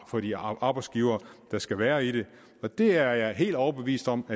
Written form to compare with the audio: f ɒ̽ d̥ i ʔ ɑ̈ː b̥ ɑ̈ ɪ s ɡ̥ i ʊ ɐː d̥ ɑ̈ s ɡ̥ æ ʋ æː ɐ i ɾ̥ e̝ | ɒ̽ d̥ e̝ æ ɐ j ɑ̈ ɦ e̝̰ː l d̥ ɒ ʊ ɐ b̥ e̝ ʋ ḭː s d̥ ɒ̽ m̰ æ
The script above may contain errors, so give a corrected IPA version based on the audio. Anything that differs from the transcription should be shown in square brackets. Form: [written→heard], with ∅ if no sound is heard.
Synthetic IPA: f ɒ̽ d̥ i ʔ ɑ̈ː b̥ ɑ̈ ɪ s ɡ̥ i ʊ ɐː d̥ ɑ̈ s ɡ̥ æ ʋ æː ɐ i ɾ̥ e̝ | ɒ̽ d̥ e̝ æ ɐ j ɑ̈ ɦ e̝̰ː l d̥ ɒ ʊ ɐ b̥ e̝ ʋ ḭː s d̥ ɒ̽ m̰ æ